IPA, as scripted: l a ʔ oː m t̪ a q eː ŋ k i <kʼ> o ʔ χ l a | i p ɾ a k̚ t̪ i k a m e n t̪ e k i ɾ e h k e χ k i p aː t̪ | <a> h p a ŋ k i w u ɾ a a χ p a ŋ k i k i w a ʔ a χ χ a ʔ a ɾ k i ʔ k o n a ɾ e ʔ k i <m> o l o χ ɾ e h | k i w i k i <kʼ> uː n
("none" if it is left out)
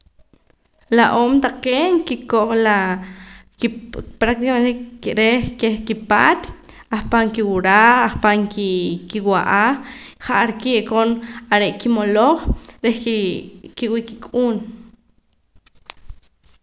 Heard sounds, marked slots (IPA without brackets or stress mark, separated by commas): k, a, m, kʼ